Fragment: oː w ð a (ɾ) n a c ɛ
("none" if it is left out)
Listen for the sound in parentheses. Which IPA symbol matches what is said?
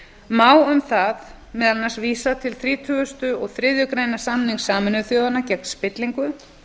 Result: none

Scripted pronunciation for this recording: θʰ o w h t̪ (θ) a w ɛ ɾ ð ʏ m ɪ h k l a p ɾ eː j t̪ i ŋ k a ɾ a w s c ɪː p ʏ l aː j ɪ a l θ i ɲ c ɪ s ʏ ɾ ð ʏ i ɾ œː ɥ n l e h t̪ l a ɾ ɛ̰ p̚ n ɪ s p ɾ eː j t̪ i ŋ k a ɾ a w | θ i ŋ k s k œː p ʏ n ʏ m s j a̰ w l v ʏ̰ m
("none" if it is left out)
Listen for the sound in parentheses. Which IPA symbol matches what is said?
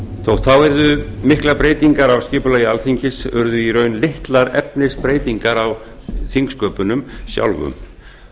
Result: θ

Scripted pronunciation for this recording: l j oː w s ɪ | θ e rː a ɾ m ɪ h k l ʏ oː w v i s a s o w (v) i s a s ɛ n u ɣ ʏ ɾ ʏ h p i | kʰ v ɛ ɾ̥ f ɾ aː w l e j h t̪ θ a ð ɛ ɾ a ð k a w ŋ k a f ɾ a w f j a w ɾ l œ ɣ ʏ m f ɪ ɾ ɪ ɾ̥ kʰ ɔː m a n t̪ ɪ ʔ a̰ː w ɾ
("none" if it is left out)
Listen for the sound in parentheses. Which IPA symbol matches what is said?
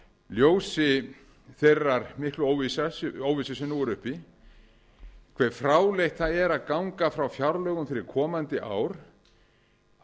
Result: v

